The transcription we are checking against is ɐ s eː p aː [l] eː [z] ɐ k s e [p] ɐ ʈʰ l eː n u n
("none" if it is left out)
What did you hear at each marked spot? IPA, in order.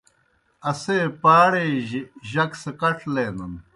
ɽ, ʑ, k

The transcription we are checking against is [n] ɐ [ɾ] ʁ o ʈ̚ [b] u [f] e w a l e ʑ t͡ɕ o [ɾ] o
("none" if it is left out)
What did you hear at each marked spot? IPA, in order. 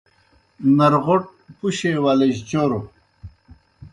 n, ɾ, p, ɕ, ɾ

